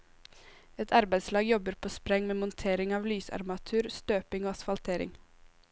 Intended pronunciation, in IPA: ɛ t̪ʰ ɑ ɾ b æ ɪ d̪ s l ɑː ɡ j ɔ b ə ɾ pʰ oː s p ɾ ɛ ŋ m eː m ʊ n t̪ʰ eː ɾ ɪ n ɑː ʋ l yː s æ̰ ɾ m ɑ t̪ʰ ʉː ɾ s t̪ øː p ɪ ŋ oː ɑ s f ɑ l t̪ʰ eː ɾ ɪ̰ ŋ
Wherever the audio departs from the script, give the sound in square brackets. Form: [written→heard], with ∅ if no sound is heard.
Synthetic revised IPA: ɛ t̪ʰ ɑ ɾ b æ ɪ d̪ s l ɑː ɡ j ɔ b ə ɾ pʰ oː s p ɾ ɛ ŋ m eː m ʊ n t̪ʰ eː ɾ ɪ [n→ŋ] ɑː ʋ l yː s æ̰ ɾ m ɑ t̪ʰ ʉː ɾ s t̪ øː p ɪ ŋ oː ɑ s f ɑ l t̪ʰ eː ɾ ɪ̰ ŋ